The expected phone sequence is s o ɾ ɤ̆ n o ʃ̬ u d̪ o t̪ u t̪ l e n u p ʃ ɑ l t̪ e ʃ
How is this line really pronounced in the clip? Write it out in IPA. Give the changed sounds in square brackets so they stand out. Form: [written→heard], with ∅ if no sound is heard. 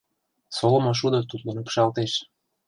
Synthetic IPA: s o [ɾ→l] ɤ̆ [n→m] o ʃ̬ u d̪ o t̪ u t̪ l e n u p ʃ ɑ l t̪ e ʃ